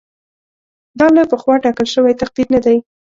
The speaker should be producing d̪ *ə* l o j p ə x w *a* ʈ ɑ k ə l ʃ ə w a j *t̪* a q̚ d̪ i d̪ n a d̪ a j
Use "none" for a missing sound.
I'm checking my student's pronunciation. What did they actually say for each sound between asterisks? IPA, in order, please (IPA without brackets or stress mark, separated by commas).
ɑ, ɑ, t̪